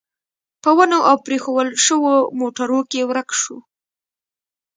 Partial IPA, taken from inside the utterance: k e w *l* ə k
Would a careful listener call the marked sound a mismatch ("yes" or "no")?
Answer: yes